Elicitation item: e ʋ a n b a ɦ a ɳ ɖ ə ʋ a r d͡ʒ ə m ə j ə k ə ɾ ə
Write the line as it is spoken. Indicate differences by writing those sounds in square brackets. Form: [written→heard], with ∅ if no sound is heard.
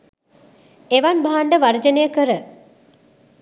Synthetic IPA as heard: e ʋ a n b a ɦ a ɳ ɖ ə ʋ a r d͡ʒ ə [m→n] ə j ə k ə ɾ ə